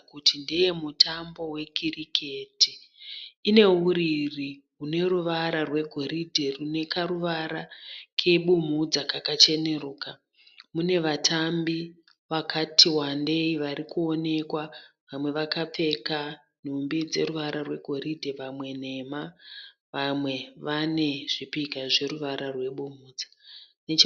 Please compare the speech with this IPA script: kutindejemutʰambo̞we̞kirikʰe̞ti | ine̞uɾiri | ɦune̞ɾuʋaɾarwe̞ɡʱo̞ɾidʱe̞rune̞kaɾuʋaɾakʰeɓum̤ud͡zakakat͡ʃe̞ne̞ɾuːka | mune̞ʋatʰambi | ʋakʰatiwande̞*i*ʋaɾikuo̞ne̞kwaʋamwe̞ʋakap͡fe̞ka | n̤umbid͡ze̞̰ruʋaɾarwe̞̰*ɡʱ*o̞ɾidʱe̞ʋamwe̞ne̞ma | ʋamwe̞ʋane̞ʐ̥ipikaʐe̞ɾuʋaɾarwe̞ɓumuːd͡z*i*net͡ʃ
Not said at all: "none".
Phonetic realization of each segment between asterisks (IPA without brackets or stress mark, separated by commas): i, ɡʱ, a